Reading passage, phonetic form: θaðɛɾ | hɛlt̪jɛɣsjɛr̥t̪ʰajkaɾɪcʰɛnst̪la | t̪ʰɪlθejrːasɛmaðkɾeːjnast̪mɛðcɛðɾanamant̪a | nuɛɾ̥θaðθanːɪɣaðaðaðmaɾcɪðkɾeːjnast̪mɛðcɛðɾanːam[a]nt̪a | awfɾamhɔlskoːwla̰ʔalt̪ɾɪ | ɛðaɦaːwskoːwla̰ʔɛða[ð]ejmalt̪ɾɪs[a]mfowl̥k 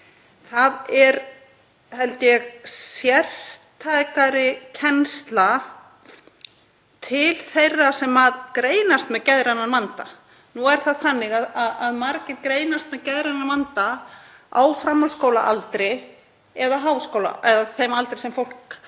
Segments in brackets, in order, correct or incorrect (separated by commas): correct, incorrect, incorrect